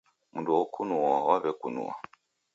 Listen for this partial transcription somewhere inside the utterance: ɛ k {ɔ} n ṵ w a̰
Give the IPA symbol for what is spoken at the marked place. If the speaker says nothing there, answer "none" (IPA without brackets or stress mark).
u